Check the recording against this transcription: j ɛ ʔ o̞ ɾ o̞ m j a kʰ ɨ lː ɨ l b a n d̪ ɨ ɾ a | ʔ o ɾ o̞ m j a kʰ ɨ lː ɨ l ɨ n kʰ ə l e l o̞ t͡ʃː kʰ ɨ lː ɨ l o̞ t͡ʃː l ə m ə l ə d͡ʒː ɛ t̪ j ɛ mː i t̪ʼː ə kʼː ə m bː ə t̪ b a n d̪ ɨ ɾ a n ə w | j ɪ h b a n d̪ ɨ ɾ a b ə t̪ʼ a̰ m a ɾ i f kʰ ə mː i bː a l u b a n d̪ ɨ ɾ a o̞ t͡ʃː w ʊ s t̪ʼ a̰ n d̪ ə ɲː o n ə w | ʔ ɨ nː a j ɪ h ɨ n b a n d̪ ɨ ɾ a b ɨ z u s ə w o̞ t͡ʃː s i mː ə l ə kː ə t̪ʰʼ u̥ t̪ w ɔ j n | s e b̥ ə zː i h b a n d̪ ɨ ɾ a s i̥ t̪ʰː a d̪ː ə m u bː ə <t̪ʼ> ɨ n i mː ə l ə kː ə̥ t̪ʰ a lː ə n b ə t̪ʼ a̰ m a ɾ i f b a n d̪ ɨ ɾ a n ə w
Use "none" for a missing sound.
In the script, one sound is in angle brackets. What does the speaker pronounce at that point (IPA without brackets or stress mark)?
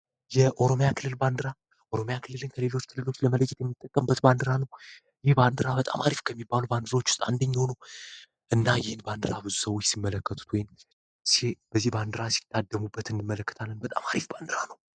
t̪